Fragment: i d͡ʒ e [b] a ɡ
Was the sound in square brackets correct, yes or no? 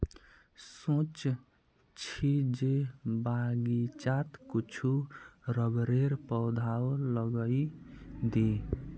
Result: yes